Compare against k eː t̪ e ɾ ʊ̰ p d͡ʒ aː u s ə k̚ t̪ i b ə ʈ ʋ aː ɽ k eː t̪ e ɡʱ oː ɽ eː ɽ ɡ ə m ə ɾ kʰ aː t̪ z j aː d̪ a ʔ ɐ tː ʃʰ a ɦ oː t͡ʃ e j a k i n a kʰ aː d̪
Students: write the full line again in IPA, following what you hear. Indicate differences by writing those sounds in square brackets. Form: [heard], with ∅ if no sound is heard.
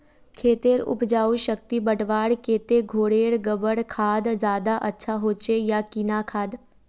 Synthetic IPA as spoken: [kʰ] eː t̪ e ɾ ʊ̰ p d͡ʒ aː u [ʃ] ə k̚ t̪ i b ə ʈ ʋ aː ɽ k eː t̪ e ɡʱ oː ɽ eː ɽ ɡ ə [b] ə [ɽ] kʰ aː [d̪] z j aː d̪ a ʔ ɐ tː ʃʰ a ɦ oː t͡ʃ e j a k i n a kʰ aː d̪

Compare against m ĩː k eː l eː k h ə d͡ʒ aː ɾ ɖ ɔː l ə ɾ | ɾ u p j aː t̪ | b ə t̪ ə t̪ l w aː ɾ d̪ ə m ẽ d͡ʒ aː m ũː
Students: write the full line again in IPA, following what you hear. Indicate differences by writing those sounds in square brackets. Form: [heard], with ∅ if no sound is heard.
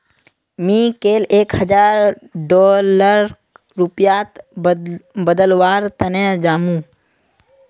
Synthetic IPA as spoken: m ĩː k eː l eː k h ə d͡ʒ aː ɾ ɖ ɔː l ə ɾ | ɾ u p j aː t̪ | b ə [d̪] ə [∅] l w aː ɾ [t̪] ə [n] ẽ d͡ʒ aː m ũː

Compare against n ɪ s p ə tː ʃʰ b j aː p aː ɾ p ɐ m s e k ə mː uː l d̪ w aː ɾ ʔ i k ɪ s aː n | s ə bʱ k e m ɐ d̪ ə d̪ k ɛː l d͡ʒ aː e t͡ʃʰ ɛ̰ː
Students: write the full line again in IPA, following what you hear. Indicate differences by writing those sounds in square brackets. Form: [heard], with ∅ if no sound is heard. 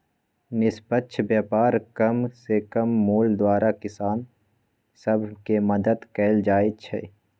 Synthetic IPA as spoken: n ɪ s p ə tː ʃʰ b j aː p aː ɾ [k] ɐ m s e k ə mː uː l d̪ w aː ɾ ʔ [a] k ɪ s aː n | s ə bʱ k e m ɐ d̪ ə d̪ k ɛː l d͡ʒ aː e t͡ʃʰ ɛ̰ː

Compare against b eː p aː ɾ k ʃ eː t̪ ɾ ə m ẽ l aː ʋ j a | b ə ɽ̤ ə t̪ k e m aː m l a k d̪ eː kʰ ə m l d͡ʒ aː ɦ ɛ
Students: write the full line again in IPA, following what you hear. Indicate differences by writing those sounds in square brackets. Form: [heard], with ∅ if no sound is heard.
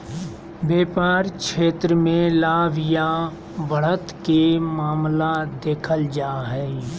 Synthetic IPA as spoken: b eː p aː ɾ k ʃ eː t̪ ɾ ə m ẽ l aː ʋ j a | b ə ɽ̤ ə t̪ k e m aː m l a [∅] d̪ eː kʰ ə [∅] l d͡ʒ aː ɦ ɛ

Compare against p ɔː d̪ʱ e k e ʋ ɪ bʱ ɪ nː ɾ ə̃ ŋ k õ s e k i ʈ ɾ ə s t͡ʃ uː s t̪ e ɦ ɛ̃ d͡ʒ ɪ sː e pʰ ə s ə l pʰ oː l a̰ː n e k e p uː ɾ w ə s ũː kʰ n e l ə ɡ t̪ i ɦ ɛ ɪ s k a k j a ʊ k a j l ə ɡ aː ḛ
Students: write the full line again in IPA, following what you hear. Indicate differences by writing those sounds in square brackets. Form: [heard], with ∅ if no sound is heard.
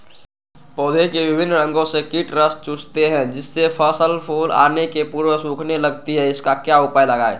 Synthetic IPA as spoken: p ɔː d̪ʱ e k e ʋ ɪ bʱ ɪ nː ɾ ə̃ ŋ [ɡ] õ s e k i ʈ ɾ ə s t͡ʃ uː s t̪ e ɦ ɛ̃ d͡ʒ ɪ sː e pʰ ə s ə l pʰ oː l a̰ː n e k e p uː ɾ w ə s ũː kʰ n e l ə ɡ t̪ i ɦ ɛ ɪ s k a k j a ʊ [p] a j l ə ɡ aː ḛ

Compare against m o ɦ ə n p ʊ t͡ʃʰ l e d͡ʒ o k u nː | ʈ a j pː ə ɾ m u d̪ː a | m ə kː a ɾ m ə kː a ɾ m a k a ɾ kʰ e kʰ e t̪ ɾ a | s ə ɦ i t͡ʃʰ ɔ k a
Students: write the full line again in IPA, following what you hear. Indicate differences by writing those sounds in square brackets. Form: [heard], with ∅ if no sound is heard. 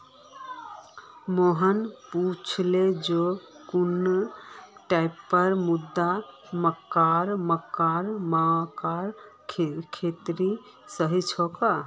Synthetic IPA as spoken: m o ɦ ə n p [u] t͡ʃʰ l e d͡ʒ o k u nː | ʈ a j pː ə ɾ m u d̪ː a | m ə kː a ɾ m ə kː a ɾ m a k a ɾ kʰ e kʰ e t̪ ɾ [i] | s ə ɦ i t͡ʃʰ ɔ k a

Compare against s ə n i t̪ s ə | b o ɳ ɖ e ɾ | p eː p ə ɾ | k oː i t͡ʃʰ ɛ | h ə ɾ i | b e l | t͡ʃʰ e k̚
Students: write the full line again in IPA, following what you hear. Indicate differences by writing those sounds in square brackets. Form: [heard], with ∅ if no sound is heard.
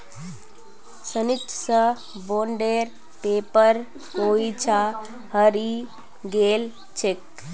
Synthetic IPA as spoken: s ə n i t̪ s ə | b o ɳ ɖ e ɾ | p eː p ə ɾ | k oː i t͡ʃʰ [a] | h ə ɾ i | [ɡ] e l | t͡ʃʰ e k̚

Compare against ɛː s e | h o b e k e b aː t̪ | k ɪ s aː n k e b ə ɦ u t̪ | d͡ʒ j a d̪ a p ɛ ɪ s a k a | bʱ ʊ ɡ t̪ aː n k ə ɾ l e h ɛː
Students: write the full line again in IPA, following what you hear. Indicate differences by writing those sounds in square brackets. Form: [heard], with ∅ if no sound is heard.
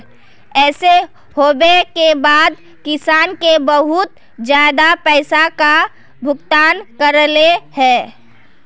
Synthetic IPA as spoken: ɛː s e | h o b e k e b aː [d̪] | k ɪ s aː n k e b ə ɦ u t̪ | d͡ʒ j a d̪ a p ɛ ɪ s a k a | bʱ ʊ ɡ t̪ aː n k ə ɾ l e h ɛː

